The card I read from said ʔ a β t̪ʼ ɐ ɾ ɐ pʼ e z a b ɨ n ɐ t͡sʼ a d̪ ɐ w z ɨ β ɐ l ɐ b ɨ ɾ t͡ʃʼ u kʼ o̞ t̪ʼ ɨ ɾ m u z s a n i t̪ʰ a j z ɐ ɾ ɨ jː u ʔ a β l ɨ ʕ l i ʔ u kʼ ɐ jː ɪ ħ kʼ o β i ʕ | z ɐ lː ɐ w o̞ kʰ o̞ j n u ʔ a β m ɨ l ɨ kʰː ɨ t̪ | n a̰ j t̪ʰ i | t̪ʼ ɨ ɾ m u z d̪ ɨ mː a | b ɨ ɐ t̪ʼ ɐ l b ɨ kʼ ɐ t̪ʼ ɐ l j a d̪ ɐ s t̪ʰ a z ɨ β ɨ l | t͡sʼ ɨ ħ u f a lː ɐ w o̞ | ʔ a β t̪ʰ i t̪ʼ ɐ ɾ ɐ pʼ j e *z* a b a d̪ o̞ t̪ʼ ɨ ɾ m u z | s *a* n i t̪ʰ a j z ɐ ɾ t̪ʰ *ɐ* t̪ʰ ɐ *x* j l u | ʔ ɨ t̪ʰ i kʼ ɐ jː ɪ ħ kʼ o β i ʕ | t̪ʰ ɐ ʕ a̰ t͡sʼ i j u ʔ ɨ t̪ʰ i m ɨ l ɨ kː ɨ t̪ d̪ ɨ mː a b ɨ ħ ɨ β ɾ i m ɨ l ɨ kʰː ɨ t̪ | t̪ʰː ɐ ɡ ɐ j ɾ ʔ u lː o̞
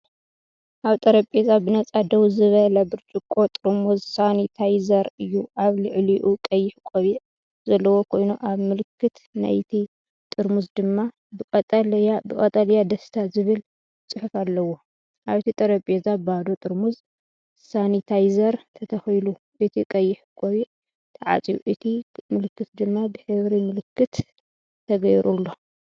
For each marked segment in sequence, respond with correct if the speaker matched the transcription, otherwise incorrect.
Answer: correct, correct, correct, correct

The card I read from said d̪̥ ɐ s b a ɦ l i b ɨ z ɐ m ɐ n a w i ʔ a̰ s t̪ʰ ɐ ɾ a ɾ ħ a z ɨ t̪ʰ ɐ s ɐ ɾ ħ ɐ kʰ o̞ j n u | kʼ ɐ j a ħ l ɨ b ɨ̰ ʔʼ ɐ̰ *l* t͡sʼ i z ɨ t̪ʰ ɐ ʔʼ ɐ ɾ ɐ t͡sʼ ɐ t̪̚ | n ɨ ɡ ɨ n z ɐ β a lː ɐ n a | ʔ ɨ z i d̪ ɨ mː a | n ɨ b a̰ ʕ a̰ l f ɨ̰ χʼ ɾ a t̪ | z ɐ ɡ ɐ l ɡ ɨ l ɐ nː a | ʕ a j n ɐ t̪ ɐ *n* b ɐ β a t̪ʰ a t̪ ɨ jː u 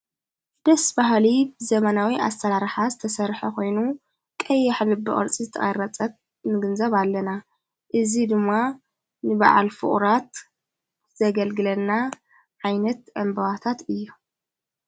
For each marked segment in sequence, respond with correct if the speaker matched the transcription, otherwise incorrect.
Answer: incorrect: ɾ, incorrect: m

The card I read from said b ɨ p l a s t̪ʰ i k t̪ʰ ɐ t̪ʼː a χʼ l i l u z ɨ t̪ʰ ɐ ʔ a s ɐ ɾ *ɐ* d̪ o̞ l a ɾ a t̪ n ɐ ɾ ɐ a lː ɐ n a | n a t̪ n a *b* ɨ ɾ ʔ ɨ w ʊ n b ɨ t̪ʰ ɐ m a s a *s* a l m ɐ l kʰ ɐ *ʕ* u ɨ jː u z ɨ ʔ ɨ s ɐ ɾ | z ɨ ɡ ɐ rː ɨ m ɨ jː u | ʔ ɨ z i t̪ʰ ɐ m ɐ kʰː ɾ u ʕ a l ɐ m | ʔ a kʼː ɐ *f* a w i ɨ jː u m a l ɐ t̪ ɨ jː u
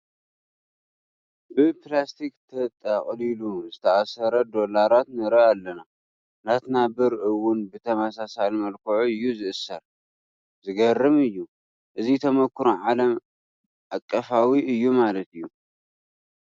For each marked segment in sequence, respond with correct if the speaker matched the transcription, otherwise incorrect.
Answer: correct, correct, correct, correct, correct

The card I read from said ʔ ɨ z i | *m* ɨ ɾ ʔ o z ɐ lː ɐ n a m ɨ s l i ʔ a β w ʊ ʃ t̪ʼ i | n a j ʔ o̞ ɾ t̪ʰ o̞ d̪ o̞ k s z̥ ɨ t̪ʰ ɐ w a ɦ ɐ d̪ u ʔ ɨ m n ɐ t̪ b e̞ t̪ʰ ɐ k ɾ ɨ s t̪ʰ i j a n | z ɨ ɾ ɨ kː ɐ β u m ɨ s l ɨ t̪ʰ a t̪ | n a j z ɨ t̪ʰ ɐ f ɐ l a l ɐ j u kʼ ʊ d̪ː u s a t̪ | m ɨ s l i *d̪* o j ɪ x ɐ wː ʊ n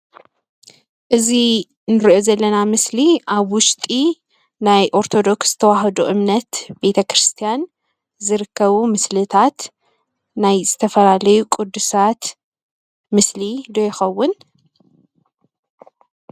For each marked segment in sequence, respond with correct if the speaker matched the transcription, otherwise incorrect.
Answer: incorrect: n, correct

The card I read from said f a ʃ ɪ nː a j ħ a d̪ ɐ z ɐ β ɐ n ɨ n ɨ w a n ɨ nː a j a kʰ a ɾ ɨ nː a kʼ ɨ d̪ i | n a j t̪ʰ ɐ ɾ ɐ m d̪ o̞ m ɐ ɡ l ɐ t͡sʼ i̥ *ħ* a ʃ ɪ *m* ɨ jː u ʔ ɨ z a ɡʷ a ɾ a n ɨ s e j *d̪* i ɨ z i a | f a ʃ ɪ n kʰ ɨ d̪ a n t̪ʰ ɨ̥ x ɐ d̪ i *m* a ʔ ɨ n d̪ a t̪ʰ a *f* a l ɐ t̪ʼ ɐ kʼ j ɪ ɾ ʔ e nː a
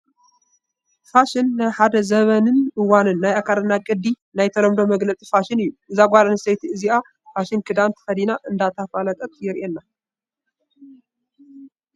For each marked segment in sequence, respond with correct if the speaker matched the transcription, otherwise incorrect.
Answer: incorrect: f, incorrect: n, incorrect: t̪, incorrect: n, correct

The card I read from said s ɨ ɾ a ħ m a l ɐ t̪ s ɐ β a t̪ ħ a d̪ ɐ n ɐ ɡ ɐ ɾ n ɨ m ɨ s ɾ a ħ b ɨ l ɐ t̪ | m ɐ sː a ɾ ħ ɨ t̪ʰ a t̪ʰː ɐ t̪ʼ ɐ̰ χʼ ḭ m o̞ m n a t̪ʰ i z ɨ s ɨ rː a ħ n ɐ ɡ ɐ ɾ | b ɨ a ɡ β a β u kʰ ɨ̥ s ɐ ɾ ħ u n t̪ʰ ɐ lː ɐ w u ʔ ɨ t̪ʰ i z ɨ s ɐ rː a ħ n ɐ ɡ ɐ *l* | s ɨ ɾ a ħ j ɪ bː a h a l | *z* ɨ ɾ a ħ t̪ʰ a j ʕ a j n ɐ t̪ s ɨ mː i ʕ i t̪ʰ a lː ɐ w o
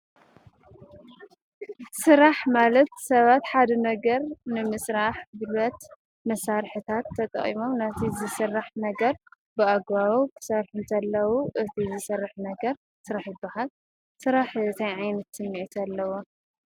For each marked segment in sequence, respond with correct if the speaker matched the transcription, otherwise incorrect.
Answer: incorrect: ɾ, incorrect: s

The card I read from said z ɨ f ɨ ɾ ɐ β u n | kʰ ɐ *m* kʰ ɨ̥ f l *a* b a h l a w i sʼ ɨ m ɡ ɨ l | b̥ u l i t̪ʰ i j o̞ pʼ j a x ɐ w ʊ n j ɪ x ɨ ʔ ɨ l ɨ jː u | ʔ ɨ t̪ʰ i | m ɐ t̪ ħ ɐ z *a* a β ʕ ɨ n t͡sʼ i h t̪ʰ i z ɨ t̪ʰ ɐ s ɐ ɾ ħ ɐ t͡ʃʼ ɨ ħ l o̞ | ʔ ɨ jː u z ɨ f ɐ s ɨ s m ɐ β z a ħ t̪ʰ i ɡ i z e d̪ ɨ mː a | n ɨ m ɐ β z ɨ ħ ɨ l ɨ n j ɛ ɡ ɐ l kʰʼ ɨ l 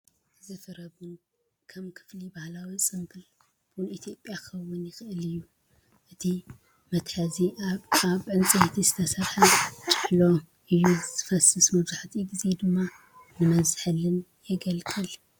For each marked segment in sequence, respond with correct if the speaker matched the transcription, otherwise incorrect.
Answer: correct, incorrect: i, incorrect: i

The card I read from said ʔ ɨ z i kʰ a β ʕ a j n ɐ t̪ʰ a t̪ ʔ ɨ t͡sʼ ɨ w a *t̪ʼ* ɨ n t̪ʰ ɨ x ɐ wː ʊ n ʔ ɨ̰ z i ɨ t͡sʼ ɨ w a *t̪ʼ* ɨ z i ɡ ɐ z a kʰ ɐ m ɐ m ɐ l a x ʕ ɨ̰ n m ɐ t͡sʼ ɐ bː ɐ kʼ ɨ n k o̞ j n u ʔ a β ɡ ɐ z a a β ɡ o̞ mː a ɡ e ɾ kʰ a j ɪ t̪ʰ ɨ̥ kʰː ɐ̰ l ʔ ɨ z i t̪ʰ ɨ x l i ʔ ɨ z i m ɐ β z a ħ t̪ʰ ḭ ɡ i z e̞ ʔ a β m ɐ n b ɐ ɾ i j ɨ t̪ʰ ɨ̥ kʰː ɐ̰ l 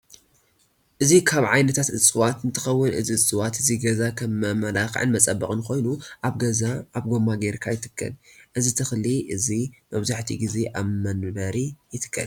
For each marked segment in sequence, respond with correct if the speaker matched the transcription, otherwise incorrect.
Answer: incorrect: t̪, incorrect: t̪

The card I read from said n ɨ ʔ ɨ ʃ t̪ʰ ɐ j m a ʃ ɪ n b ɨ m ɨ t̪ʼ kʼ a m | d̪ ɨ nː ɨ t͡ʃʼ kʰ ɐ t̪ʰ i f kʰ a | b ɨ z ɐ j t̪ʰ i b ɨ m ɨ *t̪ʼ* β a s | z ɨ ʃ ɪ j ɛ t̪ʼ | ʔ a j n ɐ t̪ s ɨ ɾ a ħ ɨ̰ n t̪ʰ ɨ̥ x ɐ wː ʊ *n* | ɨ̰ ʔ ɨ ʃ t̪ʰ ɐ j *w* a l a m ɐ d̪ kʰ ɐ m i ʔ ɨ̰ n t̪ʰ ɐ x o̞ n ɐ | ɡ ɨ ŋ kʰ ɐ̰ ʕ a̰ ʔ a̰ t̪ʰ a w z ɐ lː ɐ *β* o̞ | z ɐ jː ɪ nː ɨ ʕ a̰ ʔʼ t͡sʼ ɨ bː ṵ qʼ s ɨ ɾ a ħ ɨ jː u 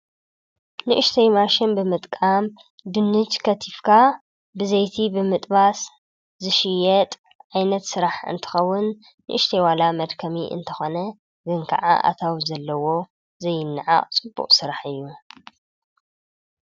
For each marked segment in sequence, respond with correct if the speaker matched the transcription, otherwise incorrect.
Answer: correct, incorrect: nː, correct, incorrect: w

